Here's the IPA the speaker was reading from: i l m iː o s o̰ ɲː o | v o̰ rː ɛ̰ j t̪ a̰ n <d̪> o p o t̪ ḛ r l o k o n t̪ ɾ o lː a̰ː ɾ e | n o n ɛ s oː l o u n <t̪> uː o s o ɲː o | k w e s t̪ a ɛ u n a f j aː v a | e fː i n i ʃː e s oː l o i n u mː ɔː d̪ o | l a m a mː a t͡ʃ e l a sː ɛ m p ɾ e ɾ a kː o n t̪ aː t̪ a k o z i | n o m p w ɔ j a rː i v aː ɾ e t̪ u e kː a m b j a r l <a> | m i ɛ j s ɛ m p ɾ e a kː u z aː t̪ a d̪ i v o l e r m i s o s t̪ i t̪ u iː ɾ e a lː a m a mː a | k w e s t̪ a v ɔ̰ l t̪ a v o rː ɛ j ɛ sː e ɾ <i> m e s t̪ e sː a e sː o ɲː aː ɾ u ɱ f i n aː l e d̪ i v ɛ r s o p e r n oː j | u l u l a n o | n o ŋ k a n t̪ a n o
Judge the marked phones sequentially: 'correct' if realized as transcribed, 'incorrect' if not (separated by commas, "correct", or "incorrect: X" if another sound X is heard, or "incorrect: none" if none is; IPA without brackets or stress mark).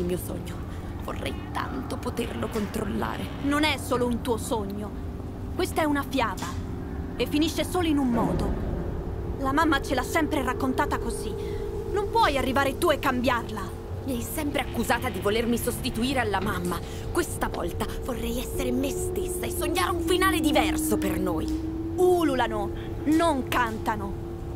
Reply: incorrect: t̪, correct, correct, incorrect: e